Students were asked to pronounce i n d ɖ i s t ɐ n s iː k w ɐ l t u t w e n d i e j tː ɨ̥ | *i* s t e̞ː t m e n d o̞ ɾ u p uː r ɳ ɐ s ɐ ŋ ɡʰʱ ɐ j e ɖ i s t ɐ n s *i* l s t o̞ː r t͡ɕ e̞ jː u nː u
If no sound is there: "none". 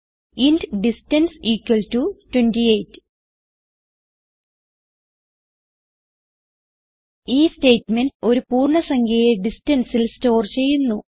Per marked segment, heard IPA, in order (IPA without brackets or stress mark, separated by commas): iː, i